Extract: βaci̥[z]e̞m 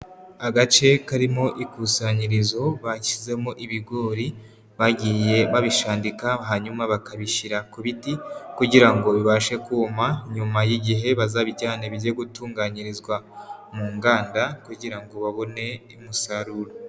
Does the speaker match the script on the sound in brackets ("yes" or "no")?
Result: yes